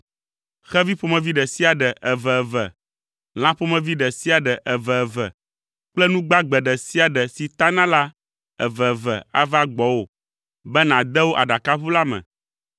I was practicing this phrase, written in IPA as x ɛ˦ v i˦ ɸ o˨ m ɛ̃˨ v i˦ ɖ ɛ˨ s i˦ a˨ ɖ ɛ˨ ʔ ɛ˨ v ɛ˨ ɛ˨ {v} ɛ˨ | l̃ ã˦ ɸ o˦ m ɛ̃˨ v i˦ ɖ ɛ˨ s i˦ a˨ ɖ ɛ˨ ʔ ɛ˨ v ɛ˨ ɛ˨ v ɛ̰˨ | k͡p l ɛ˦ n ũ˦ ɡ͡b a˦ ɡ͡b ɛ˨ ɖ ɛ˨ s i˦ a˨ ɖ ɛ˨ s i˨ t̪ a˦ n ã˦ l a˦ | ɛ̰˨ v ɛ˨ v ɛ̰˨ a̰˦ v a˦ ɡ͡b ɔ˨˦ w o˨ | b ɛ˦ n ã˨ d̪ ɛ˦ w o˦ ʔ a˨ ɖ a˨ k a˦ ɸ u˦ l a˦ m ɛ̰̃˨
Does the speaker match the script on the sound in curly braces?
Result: yes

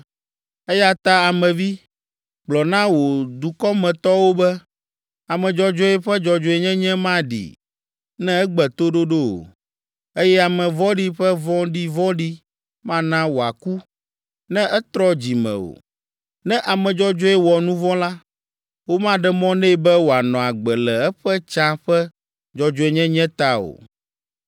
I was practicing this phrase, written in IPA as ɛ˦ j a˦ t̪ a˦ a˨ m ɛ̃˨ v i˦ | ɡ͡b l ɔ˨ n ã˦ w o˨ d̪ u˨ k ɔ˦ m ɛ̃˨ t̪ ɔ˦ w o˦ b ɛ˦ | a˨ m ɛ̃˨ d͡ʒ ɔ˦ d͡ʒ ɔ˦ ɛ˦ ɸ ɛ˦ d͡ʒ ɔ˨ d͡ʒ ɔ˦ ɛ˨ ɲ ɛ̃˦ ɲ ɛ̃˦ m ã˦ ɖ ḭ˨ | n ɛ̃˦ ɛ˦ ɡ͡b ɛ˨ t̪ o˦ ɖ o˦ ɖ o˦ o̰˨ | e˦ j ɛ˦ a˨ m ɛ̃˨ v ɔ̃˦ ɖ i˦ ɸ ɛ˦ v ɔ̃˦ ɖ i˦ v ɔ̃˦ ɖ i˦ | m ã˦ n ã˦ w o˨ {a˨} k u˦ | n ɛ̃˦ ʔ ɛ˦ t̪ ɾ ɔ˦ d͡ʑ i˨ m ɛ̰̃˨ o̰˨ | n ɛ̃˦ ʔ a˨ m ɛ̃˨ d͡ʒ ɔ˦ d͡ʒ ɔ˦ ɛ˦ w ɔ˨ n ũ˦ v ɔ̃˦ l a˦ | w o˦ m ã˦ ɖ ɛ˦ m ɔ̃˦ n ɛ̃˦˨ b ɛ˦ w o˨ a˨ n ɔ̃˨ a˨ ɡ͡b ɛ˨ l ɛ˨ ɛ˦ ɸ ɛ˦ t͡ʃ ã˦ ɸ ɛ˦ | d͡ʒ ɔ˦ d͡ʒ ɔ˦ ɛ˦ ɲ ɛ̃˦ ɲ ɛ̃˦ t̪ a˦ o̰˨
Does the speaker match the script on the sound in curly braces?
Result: yes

